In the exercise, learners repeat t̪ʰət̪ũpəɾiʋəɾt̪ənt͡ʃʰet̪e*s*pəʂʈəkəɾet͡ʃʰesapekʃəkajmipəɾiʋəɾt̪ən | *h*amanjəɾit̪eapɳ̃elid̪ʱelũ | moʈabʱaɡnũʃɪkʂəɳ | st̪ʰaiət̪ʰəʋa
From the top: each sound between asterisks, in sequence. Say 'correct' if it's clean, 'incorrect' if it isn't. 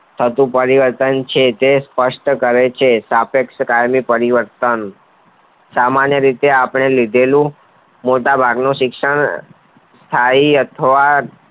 correct, incorrect: s

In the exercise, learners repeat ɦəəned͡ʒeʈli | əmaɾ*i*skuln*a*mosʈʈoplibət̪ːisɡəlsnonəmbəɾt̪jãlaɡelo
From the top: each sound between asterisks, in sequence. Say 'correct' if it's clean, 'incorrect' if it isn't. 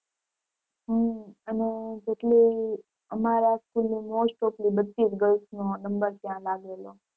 incorrect: a, incorrect: i

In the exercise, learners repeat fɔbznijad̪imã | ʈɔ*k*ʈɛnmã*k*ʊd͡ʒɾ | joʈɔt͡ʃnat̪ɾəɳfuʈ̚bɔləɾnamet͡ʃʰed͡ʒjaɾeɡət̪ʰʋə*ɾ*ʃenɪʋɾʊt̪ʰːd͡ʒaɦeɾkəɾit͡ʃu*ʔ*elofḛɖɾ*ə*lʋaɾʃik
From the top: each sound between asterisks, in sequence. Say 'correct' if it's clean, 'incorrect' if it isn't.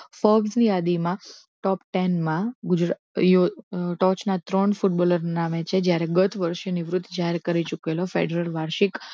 incorrect: p, incorrect: ɡ, correct, incorrect: k, correct

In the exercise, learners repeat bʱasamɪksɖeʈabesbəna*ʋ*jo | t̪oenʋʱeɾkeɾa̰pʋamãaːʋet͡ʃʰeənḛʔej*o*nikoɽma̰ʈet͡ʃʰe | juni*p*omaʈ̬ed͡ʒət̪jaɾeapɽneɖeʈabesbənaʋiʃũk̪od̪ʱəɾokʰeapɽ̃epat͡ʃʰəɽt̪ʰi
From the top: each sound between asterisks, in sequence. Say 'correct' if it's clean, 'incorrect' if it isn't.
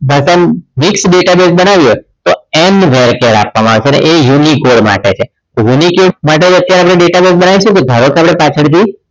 correct, incorrect: u, incorrect: k

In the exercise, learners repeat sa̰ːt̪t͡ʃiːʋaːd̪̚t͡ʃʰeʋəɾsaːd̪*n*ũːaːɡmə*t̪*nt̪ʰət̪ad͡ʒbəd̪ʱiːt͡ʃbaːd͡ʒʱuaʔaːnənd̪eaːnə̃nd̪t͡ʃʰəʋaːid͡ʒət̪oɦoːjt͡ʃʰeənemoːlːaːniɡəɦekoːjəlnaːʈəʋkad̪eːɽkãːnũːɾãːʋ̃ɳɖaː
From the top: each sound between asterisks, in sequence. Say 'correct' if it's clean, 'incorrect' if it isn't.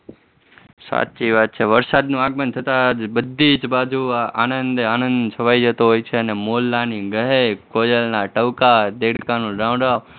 correct, incorrect: none

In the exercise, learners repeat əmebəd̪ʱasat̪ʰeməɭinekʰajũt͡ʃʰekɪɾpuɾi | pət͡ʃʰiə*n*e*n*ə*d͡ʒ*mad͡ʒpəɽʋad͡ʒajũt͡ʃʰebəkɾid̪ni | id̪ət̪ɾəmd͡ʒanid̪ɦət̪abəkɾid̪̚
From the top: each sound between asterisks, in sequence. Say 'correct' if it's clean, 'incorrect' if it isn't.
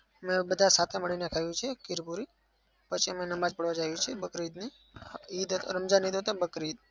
incorrect: m, correct, incorrect: none

